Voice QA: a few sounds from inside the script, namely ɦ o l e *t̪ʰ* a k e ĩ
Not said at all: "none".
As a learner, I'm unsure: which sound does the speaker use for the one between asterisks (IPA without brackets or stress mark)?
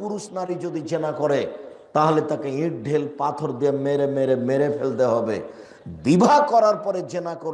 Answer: t̪